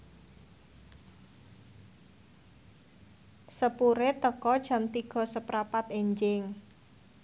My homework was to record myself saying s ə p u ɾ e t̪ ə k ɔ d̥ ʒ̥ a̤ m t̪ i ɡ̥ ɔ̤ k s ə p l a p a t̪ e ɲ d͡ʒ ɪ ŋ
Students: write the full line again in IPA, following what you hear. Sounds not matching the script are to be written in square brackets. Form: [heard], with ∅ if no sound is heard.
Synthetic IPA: s ə p u ɾ e t̪ ə k ɔ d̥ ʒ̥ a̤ m t̪ i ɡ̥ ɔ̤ [∅] s ə p [ɾ] a p a t̪ e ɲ d͡ʒ ɪ ŋ